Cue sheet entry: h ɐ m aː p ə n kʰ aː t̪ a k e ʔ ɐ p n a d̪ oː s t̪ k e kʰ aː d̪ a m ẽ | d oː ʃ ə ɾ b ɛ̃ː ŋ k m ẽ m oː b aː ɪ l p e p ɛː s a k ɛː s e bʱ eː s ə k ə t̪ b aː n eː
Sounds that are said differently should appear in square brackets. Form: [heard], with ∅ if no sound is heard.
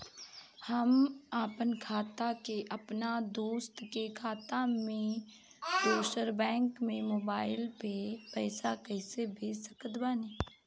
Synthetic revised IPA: h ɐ m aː p ə n kʰ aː t̪ a k e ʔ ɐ p n a d̪ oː s t̪ k e kʰ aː [t̪] a m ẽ | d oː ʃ ə ɾ b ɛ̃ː ŋ k m ẽ m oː b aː ɪ l p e p ɛː s a k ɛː s e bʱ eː s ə k ə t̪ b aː n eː